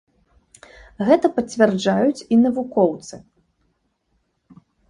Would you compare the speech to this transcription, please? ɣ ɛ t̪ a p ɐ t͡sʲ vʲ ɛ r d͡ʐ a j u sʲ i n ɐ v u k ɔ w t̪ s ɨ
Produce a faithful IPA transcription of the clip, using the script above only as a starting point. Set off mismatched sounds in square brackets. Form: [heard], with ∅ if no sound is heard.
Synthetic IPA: ɣ ɛ t̪ [ɐ] p ɐ t͡sʲ vʲ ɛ r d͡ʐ a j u [t͡sʲ] i n ɐ v u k ɔ w t̪ s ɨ

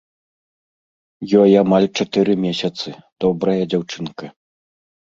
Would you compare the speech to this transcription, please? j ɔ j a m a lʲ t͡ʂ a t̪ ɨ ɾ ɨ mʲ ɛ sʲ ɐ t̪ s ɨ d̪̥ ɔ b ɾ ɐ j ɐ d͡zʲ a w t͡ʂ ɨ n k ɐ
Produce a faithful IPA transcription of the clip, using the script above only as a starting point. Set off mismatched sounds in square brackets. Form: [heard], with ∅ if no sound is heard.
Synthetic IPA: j ɔ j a m a lʲ t͡ʂ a t̪ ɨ ɾ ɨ mʲ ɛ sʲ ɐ t̪ s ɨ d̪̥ ɔ b ɾ ɐ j ɐ d͡zʲ a w t͡ʂ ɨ n k ɐ

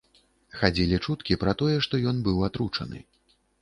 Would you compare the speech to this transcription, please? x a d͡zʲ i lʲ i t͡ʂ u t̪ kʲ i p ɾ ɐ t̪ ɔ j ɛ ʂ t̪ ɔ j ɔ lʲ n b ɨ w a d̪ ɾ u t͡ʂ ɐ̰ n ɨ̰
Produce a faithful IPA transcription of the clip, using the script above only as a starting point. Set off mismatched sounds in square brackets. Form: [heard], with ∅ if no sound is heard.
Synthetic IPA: x a d͡zʲ i lʲ i t͡ʂ u t̪ kʲ i p ɾ ɐ t̪ ɔ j ɛ ʂ t̪ ɔ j ɔ [∅] n b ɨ w a [t̪] ɾ u t͡ʂ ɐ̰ n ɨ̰

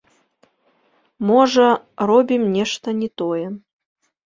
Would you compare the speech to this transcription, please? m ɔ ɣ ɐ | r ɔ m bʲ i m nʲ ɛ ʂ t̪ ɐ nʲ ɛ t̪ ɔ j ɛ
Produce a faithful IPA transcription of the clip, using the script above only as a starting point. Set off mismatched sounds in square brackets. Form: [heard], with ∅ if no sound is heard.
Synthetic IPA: m ɔ [ʐ] ɐ | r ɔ [∅] bʲ i m nʲ ɛ ʂ t̪ ɐ nʲ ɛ t̪ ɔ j ɛ

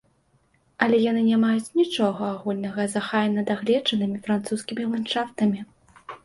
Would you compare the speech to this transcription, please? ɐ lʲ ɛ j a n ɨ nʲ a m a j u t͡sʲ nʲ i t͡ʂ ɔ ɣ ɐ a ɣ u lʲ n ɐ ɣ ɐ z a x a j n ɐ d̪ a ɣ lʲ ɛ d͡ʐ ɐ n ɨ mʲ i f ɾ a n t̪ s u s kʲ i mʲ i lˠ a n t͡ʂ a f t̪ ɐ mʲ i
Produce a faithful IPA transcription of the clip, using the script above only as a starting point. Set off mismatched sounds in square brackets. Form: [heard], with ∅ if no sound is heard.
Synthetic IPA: ɐ lʲ ɛ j a n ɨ nʲ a m a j u t͡sʲ nʲ i t͡ʂ ɔ ɣ ɐ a ɣ u lʲ n ɐ ɣ ɐ z a x a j n ɐ d̪ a ɣ lʲ ɛ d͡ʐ ɐ n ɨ mʲ i f ɾ a n t̪ s u s kʲ i mʲ i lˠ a n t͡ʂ a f t̪ ɐ mʲ i

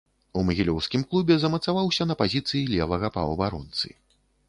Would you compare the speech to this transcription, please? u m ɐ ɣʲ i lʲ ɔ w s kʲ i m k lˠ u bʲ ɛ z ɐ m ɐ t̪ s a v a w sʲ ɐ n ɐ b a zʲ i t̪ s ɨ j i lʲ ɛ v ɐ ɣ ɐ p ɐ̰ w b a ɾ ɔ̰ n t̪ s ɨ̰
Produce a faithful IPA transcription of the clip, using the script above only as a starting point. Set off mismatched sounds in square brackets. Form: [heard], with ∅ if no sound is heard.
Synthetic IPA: u m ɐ ɣʲ i lʲ ɔ w s kʲ i m k lˠ u bʲ ɛ z ɐ m ɐ t̪ s a v a w sʲ ɐ n ɐ [p] a zʲ i t̪ s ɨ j i lʲ ɛ v ɐ ɣ ɐ p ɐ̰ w b a ɾ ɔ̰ n t̪ s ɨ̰

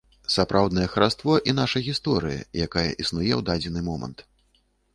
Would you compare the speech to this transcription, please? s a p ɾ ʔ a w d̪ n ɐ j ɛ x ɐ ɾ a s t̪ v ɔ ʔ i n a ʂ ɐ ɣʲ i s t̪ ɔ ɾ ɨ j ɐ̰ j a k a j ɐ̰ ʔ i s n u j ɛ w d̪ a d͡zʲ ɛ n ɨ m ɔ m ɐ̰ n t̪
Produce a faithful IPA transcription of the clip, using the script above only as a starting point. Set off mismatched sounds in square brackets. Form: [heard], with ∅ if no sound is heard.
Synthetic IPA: s a p ɾ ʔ a w d̪ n ɐ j ɛ x ɐ ɾ a s t̪ v ɔ ʔ i n a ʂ ɐ ɣʲ i s t̪ ɔ ɾ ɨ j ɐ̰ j a k a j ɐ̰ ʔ i s n u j ɛ w d̪ a d͡zʲ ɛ n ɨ m ɔ m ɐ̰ n t̪

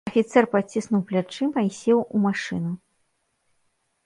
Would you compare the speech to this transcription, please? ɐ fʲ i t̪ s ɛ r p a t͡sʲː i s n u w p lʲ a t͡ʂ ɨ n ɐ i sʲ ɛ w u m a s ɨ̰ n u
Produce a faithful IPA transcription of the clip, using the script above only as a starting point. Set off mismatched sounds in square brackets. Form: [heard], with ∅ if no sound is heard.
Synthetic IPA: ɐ fʲ i t̪ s ɛ r p a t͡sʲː i s n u w p lʲ a t͡ʂ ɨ [m] ɐ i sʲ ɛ w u m a [ʂ] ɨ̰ n u

